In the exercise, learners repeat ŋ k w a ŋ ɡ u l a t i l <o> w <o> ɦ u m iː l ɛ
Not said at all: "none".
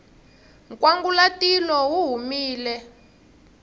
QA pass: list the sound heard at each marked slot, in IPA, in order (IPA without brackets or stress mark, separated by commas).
ɔ, u